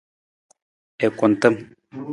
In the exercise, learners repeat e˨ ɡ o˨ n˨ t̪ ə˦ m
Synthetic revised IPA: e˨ k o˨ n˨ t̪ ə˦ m